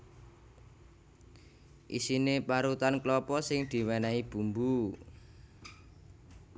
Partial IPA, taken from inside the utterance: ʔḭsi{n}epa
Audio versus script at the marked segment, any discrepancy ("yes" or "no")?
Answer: no